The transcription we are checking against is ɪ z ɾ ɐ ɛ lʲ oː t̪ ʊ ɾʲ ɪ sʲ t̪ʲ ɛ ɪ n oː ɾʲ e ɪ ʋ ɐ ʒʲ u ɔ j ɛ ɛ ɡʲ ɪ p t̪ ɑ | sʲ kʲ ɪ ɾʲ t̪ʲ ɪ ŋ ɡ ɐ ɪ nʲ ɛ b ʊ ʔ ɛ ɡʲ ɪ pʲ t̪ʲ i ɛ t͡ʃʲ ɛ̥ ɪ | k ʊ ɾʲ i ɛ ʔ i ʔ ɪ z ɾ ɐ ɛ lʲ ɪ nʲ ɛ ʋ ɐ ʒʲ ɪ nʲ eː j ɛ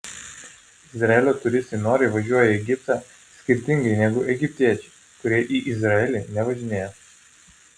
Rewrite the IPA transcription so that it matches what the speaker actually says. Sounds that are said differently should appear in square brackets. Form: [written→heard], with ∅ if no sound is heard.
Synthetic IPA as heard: ɪ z ɾ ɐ ɛ lʲ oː t̪ ʊ ɾʲ ɪ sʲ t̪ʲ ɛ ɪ n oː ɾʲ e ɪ ʋ ɐ ʒʲ u ɔ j ɛ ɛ ɡʲ ɪ p t̪ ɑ | sʲ kʲ ɪ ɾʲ t̪ʲ ɪ ŋ ɡ ɐ ɪ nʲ ɛ [b→ɡ] ʊ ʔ ɛ ɡʲ ɪ pʲ t̪ʲ i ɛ t͡ʃʲ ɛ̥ ɪ | k ʊ ɾʲ i ɛ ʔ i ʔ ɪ z ɾ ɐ ɛ lʲ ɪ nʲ ɛ ʋ ɐ ʒʲ ɪ nʲ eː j ɛ

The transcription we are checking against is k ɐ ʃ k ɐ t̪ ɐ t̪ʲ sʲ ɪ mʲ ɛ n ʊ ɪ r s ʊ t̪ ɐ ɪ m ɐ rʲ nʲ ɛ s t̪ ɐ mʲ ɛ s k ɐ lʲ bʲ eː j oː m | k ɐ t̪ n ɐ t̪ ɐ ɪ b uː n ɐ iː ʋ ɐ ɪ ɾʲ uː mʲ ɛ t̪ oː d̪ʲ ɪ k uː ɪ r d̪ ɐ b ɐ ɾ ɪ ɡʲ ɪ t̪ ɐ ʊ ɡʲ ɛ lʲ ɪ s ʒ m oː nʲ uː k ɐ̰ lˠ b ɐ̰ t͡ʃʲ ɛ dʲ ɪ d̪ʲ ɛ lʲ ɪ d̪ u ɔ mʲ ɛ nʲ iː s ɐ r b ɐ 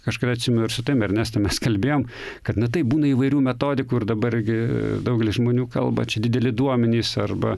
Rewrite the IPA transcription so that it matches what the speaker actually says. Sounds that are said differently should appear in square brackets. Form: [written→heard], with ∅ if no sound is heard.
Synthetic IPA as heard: k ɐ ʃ k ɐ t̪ ɐ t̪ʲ sʲ ɪ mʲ ɛ n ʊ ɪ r s ʊ t̪ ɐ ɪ m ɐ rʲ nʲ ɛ s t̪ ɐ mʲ ɛ s k ɐ lʲ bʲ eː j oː m | k ɐ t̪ n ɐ t̪ ɐ ɪ b uː n ɐ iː ʋ ɐ ɪ ɾʲ uː mʲ ɛ t̪ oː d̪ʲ ɪ k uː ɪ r d̪ ɐ b ɐ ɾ ɪ ɡʲ ɪ [t̪→d̪] ɐ ʊ ɡʲ ɛ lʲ ɪ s ʒ m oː nʲ uː k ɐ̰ lˠ b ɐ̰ t͡ʃʲ ɛ dʲ ɪ d̪ʲ ɛ lʲ ɪ d̪ u ɔ mʲ ɛ nʲ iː s ɐ r b ɐ

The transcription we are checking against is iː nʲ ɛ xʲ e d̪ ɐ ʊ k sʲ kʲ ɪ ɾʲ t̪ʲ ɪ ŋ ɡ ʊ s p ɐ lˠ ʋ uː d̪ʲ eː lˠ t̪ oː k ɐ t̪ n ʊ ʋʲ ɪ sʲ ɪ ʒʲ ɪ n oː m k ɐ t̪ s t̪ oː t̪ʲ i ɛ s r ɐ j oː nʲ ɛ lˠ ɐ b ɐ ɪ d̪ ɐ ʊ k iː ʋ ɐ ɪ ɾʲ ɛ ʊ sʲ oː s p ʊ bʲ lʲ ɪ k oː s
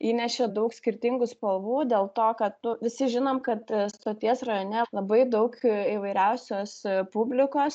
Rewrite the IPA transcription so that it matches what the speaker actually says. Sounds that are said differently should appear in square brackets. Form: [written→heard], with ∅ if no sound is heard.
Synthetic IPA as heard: iː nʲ ɛ [xʲ→ʃʲ] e d̪ ɐ ʊ k sʲ kʲ ɪ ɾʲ t̪ʲ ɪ ŋ ɡ ʊ s p ɐ lˠ ʋ uː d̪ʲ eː lˠ t̪ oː k ɐ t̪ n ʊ ʋʲ ɪ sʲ ɪ ʒʲ ɪ n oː m k ɐ t̪ s t̪ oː t̪ʲ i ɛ s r ɐ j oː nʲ ɛ lˠ ɐ b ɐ ɪ d̪ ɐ ʊ k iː ʋ ɐ ɪ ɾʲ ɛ ʊ sʲ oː s p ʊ bʲ lʲ ɪ k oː s

